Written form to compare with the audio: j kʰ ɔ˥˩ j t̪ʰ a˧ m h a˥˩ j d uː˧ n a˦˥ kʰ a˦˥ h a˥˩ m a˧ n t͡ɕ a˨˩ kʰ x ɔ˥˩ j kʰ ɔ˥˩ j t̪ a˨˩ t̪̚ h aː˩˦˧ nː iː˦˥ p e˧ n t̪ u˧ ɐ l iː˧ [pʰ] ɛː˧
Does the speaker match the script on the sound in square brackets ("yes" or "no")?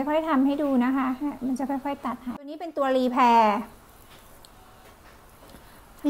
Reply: yes